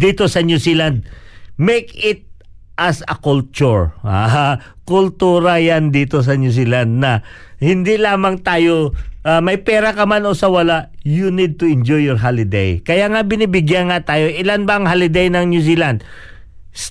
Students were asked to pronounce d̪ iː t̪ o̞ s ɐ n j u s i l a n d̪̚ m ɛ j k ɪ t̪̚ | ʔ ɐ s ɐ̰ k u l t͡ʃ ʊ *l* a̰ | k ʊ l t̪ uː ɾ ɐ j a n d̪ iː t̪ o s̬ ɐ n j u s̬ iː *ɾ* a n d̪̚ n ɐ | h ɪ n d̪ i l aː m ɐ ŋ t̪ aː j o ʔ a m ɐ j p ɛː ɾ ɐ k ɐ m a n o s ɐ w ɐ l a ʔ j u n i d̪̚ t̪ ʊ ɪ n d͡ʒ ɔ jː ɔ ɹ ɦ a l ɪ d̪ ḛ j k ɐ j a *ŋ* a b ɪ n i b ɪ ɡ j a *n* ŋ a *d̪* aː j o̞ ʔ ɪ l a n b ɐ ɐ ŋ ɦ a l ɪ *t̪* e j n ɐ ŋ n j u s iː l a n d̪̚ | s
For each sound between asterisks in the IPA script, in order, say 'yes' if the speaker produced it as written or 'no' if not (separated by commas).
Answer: no, no, yes, yes, no, no